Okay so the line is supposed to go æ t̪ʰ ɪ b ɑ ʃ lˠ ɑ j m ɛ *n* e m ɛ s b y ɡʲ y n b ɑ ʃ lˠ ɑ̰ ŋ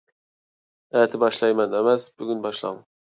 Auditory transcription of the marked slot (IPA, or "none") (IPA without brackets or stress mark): n